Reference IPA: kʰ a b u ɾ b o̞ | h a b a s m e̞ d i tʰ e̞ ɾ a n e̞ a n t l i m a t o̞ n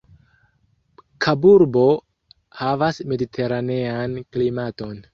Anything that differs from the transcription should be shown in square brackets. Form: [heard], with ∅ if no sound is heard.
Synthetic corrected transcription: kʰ a b u ɾ b o̞ | h a [v] a s m e̞ d i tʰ e̞ ɾ a n e̞ a n [k] l i m a t o̞ n